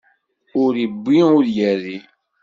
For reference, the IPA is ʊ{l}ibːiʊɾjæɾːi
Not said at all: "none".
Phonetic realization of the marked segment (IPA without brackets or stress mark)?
ɾ